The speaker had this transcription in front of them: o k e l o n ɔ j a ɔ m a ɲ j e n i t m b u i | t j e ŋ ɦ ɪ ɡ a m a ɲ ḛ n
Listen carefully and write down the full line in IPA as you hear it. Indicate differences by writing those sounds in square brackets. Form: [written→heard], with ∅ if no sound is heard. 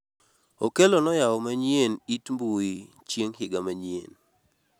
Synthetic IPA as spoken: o k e l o n ɔ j a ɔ m a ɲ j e n i t m b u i | [t→t͡ʃ] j e ŋ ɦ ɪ ɡ a m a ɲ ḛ n